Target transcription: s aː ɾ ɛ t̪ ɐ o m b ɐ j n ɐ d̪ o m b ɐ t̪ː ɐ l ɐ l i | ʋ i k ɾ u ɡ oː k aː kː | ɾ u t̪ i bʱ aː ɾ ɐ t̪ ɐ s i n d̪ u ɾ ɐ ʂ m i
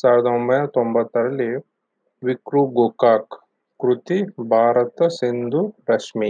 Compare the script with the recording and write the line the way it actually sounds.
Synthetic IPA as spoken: s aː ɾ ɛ d̪ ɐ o m b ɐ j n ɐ t̪ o m b ɐ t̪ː ɐ ɾ ɐ l i | ʋ i k ɾ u ɡ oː k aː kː | ɾ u t̪ i bʱ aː ɾ ɐ t̪ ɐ s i n d̪ u ɾ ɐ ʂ m i